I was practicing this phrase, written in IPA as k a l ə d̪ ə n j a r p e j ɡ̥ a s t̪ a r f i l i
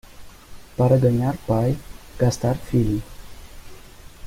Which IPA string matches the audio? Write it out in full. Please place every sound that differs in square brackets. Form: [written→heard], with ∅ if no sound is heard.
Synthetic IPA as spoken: [k→p] a [l→ɾ] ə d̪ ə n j a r p [e→a] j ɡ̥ a s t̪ a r f i l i